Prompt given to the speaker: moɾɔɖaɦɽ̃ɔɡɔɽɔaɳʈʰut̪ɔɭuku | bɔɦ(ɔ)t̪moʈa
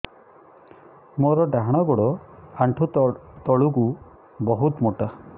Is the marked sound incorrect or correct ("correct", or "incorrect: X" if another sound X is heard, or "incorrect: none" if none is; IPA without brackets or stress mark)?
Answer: incorrect: u